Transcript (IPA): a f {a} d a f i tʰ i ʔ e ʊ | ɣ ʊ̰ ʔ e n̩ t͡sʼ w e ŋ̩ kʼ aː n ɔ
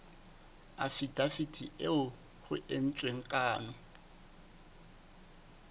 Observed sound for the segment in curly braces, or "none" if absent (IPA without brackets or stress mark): i